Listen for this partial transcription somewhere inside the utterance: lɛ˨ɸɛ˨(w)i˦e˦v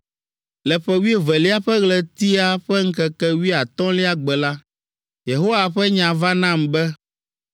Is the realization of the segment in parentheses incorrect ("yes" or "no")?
no